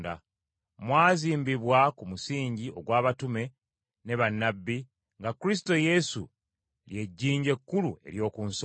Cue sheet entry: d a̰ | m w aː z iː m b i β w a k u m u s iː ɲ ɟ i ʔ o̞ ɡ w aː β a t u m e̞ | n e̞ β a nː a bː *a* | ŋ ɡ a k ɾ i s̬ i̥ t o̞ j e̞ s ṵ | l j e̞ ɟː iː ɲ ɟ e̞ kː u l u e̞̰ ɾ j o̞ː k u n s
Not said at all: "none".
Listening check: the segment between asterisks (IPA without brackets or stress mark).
i